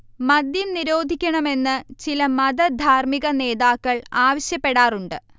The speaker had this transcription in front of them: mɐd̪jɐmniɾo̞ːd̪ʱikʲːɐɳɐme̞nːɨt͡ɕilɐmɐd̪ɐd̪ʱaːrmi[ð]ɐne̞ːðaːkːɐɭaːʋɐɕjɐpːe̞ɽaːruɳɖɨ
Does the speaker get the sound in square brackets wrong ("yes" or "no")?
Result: yes